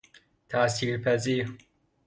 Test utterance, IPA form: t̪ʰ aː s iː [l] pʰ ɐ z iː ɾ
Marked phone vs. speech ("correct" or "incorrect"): incorrect